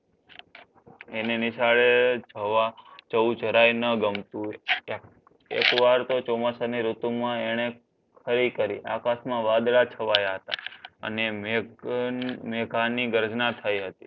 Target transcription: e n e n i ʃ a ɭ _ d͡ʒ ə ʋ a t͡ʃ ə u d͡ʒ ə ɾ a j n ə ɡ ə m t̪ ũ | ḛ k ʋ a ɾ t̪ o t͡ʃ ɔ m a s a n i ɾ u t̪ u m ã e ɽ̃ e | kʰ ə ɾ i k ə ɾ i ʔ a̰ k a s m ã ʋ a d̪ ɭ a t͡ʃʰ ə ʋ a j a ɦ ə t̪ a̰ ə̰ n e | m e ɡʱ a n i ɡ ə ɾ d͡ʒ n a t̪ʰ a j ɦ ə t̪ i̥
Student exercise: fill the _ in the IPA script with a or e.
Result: e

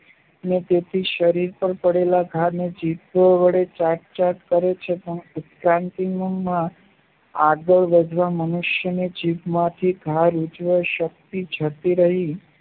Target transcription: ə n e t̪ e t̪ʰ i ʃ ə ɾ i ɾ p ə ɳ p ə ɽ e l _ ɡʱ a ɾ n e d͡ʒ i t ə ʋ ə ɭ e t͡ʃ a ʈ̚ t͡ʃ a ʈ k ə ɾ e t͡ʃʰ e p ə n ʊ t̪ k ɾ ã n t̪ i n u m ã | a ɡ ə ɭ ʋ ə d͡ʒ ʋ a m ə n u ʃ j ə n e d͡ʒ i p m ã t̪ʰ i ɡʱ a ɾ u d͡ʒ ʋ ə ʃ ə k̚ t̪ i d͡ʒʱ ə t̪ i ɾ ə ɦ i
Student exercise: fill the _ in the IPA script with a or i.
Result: a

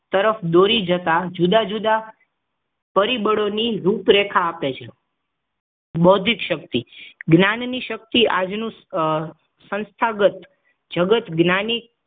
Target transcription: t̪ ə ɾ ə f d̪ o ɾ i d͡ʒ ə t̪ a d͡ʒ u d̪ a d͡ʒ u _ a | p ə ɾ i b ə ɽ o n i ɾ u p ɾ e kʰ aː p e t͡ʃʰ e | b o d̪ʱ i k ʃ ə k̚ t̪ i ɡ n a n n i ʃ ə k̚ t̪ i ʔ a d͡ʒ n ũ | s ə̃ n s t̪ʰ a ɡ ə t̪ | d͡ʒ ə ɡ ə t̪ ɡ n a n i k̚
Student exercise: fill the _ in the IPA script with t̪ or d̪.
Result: d̪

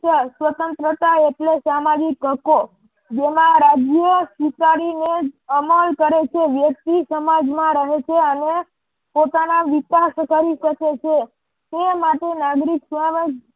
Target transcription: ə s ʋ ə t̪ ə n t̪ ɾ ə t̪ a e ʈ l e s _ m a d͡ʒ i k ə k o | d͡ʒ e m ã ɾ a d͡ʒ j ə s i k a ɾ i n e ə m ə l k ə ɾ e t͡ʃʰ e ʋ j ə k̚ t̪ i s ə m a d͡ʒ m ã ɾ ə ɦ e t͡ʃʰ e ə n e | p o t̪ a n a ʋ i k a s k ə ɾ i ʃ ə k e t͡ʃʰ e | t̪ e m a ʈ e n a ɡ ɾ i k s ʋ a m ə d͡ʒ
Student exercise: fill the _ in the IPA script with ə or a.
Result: a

